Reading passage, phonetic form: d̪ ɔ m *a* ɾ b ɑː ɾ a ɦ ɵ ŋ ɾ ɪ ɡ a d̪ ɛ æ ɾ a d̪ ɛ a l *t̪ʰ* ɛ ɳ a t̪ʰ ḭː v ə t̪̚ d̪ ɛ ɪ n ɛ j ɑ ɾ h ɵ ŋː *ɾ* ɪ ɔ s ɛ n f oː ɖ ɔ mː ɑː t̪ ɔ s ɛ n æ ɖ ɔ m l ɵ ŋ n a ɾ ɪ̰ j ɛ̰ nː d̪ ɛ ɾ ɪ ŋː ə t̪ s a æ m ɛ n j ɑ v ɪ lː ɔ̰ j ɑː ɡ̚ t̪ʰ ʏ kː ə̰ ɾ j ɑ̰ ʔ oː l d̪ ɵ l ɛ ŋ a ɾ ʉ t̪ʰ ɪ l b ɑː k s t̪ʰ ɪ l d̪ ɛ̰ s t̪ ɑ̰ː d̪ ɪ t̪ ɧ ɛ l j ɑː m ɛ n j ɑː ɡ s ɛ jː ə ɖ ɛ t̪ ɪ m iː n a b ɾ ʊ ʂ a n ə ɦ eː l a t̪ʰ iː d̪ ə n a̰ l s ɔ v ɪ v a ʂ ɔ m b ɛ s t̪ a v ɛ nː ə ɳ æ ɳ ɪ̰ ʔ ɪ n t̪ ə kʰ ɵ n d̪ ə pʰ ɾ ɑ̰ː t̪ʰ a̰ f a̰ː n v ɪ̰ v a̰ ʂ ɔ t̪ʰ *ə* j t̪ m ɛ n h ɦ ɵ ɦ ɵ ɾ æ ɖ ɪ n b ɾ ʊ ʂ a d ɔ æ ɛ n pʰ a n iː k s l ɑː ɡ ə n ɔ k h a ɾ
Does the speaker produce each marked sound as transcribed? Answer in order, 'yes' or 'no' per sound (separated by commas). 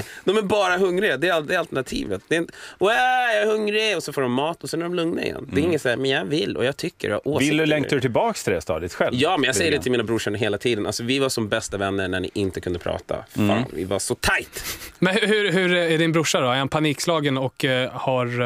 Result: no, no, yes, no